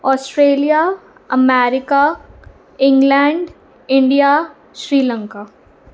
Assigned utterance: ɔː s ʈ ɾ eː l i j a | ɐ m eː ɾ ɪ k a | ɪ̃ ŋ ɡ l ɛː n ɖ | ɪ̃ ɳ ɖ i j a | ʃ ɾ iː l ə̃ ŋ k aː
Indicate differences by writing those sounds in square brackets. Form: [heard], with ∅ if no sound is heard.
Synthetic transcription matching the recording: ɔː s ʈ ɾ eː l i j a | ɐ m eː ɾ ɪ k a | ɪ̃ ŋ ɡ l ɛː [ɳ] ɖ | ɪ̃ ɳ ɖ i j a | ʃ ɾ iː l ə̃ ŋ k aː